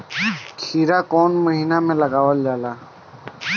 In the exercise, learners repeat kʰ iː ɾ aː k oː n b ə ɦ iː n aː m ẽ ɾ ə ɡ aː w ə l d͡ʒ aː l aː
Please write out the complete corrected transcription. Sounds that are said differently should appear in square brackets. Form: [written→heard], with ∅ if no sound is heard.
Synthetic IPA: kʰ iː ɾ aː k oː n [b→m] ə ɦ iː n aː m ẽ [ɾ→l] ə ɡ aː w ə l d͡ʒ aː l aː